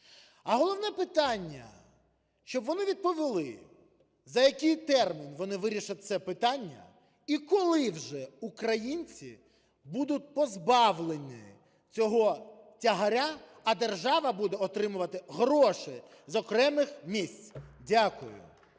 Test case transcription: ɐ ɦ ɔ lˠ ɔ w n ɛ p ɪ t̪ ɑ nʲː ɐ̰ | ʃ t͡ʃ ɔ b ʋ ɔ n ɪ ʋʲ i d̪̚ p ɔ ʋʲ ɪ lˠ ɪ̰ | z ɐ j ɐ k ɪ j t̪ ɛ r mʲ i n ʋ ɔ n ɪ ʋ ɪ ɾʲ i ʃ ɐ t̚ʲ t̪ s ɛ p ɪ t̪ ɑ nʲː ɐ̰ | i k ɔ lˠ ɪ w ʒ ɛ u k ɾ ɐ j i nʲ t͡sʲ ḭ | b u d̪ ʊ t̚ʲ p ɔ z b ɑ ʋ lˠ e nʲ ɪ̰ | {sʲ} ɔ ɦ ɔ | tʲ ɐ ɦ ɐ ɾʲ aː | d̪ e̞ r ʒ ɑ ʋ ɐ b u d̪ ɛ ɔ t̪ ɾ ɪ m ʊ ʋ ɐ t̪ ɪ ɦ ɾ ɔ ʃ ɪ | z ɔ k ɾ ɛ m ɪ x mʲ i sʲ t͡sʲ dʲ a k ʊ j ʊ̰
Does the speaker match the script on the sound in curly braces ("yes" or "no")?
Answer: no